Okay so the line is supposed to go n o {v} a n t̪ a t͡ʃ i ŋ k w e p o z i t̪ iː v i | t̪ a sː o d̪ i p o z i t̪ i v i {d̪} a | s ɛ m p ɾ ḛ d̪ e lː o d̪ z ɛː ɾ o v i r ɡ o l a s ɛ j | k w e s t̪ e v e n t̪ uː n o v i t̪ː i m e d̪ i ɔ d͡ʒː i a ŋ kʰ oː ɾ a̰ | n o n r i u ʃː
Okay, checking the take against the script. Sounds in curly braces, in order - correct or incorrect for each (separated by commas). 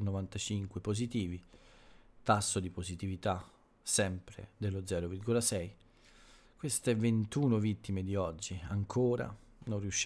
correct, incorrect